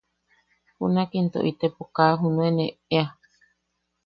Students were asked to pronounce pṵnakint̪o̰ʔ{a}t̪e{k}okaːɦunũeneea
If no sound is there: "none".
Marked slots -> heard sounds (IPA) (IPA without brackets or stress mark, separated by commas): i, p